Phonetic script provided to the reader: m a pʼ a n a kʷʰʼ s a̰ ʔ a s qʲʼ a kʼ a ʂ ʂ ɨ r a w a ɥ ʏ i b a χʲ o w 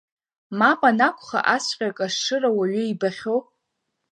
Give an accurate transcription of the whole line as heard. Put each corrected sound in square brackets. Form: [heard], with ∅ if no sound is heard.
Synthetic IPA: m a pʼ a n a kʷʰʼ [χ] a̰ ʔ a s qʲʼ a kʼ a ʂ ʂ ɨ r a w a ɥ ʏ i b a χʲ o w